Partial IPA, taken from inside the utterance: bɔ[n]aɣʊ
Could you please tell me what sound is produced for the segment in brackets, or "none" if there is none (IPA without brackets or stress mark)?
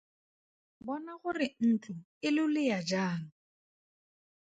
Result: n